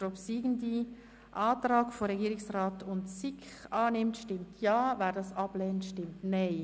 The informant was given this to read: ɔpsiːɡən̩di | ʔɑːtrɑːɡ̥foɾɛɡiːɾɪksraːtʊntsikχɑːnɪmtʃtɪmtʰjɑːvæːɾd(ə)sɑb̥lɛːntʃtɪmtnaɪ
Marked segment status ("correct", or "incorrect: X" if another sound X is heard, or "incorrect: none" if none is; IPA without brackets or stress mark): incorrect: ɑ